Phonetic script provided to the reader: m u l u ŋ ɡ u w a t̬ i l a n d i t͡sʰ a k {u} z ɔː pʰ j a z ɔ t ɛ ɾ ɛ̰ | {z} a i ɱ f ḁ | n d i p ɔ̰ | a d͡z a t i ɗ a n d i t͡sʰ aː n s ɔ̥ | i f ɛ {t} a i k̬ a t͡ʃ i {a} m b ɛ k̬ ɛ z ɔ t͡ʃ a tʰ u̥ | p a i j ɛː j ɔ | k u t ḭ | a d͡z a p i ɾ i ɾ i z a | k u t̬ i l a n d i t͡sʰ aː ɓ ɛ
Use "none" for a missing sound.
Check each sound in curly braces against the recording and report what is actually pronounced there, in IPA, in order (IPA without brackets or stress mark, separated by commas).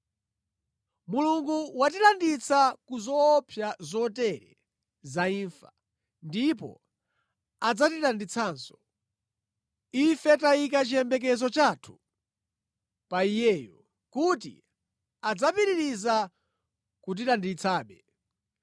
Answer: u, z, t, ɛ